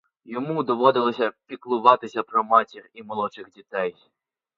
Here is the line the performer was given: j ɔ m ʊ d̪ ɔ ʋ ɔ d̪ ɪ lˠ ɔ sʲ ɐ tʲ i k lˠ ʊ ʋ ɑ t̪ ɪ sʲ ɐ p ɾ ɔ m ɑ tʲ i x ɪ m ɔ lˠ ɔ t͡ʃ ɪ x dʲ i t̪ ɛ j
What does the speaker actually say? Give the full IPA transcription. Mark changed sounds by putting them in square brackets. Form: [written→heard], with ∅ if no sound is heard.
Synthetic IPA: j ɔ m [ʊ→u] d̪ ɔ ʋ ɔ d̪ ɪ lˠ ɔ sʲ ɐ [tʲ→pʲ] i k lˠ ʊ ʋ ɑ t̪ ɪ sʲ ɐ p ɾ ɔ m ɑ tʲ i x [ɪ→i] m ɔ lˠ ɔ t͡ʃ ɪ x dʲ i t̪ ɛ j